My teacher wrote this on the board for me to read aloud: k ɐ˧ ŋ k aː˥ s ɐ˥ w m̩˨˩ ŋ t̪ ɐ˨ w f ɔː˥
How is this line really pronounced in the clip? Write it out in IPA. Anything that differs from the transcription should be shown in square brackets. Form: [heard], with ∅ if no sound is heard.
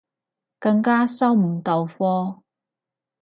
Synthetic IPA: k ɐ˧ ŋ k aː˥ s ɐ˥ w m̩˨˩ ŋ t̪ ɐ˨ w f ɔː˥